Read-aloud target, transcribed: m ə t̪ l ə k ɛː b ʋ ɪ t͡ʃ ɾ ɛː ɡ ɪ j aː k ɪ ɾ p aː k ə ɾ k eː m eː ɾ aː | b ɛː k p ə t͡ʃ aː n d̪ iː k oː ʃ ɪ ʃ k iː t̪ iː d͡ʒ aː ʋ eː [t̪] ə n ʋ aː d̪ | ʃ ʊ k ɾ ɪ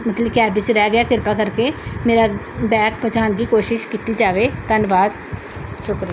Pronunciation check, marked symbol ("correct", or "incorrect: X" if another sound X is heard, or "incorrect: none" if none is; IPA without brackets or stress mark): correct